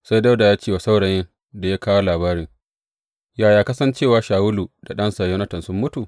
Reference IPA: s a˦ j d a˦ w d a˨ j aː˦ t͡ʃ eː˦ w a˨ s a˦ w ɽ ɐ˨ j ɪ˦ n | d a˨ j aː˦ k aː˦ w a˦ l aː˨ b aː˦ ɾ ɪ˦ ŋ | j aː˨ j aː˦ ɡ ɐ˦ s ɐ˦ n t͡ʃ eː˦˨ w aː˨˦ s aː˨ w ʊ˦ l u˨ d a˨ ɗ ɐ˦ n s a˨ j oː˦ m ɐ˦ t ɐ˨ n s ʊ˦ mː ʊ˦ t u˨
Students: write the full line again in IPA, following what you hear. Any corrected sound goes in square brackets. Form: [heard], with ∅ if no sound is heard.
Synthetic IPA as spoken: s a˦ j d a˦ w d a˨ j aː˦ t͡ʃ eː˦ w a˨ s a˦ w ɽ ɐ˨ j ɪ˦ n | d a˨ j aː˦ k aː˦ w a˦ l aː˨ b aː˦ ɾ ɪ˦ ŋ | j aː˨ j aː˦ [k] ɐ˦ s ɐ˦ n t͡ʃ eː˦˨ w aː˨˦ [ʃ] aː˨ w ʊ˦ l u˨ d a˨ ɗ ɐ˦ n s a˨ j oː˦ [n] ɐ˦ t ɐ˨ n s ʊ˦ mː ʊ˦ t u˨